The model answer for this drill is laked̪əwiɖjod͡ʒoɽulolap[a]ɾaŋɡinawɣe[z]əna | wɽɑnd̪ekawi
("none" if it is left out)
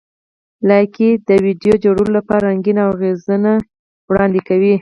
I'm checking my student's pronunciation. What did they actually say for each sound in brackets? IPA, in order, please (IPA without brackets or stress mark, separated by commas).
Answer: ɑ, z